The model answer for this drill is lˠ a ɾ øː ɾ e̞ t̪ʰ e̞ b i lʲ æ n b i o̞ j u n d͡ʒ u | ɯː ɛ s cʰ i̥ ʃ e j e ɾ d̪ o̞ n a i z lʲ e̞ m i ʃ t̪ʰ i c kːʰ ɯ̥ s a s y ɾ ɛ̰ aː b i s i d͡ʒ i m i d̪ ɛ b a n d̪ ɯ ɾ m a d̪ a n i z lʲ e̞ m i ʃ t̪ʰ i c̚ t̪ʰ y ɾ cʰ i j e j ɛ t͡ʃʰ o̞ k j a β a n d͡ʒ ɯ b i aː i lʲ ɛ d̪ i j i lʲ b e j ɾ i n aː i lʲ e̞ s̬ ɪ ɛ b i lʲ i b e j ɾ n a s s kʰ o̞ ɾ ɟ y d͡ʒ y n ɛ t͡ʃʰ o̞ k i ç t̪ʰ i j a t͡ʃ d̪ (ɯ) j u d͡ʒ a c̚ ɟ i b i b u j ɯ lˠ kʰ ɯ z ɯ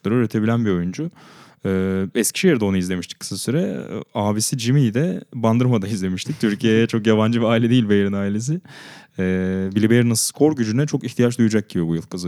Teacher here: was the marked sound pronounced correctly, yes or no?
no